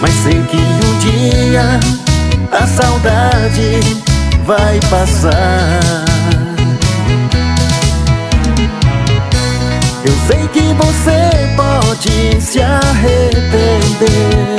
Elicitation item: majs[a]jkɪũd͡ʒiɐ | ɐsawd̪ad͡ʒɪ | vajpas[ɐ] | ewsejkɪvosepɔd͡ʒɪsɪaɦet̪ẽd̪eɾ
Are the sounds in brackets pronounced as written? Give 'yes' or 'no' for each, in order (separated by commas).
no, no